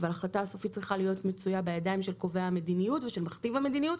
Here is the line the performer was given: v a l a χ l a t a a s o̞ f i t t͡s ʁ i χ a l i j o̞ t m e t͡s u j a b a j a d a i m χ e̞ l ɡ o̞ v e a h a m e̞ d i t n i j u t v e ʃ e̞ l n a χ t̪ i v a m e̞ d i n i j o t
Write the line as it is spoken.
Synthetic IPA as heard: v a l a χ l a t a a s o̞ f i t t͡s ʁ i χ a l i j o̞ t m e t͡s u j a b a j a d a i m ʃ e̞ l k o̞ v e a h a m e̞ d i n i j u t v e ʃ e̞ l m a χ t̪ i v a m e̞ d i n i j u t